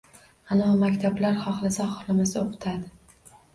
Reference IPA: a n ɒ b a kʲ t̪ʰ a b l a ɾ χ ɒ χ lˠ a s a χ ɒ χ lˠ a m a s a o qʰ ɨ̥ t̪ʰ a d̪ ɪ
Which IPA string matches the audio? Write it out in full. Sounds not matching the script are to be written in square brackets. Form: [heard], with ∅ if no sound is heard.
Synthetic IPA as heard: a n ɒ [m] a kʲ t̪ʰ a b l a ɾ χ ɒ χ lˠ a s a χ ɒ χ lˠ a m a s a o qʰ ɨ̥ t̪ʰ a d̪ ɪ